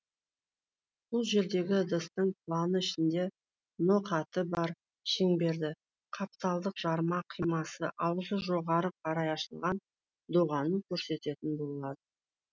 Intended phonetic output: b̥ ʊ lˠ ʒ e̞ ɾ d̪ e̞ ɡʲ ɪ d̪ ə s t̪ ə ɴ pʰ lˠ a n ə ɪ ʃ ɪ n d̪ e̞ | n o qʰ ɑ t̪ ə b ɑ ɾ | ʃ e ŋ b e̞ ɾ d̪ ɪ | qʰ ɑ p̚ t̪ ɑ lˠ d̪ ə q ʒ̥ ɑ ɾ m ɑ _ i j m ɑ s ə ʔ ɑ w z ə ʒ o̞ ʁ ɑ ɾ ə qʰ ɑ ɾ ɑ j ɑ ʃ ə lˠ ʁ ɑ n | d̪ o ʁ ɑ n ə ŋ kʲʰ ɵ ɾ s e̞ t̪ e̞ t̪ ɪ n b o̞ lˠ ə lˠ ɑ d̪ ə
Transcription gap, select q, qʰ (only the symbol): qʰ